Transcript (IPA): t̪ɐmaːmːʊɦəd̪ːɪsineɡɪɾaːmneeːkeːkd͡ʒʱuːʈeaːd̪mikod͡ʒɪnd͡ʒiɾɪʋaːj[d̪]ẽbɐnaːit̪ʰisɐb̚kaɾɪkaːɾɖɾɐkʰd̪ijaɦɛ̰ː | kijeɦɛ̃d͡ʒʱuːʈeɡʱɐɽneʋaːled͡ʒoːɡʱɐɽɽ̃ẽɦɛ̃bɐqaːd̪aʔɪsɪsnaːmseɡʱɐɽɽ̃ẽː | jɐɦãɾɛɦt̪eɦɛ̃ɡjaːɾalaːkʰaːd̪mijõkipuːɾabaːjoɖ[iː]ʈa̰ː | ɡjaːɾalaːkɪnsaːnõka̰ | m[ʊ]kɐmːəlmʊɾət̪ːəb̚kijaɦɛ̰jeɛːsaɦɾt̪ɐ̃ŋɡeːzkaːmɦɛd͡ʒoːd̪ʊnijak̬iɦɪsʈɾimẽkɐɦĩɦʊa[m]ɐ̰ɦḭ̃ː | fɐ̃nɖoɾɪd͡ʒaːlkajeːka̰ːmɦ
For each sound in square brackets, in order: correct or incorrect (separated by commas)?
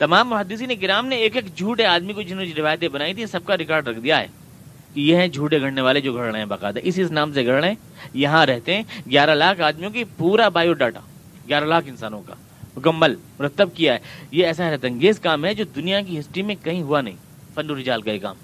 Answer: incorrect, incorrect, correct, incorrect